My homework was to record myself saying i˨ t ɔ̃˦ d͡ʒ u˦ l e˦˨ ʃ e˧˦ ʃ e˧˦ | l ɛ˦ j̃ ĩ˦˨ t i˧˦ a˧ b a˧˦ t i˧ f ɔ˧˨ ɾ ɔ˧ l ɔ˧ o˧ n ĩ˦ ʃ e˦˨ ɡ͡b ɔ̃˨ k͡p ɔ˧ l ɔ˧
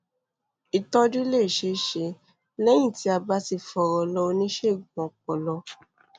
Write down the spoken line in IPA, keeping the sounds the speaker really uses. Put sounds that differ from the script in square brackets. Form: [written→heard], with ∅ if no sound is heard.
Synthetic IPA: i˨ t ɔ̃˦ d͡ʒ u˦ l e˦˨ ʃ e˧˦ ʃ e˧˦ | l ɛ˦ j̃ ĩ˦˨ t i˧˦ a˧ b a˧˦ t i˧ f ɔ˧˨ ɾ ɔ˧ l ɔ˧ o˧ n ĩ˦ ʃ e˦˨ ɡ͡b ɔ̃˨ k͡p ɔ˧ l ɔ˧